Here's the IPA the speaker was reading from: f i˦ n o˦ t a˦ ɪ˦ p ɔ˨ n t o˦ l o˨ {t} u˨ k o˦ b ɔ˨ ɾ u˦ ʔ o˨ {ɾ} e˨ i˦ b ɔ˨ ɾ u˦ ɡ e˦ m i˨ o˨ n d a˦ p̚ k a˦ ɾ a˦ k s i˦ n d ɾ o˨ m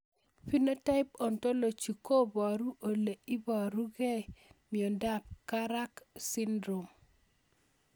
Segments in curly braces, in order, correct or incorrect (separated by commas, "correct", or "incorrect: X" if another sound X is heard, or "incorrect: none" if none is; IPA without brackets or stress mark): incorrect: t͡ʃ, incorrect: l